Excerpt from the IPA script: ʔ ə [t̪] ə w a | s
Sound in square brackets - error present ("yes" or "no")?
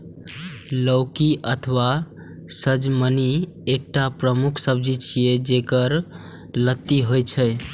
yes